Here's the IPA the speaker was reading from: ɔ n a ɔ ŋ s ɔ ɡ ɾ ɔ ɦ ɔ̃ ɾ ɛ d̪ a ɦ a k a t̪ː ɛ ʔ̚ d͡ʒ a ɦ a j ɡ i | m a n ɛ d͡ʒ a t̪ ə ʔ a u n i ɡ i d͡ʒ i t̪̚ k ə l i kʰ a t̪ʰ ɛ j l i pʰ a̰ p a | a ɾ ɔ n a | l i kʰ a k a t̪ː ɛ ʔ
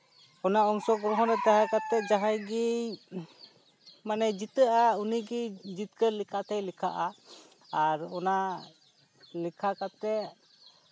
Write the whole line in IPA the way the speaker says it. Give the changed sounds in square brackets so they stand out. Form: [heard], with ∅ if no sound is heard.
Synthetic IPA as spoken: ɔ n a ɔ ŋ s ɔ ɡ ɾ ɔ ɦ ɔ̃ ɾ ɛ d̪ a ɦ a k a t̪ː ɛ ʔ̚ d͡ʒ a ɦ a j ɡ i | m a n ɛ d͡ʒ [i] t̪ ə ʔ a u n i ɡ i d͡ʒ i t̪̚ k ə l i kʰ a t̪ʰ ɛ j l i [kʰ] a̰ [ʔ] a | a ɾ ɔ n a | l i kʰ a k a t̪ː ɛ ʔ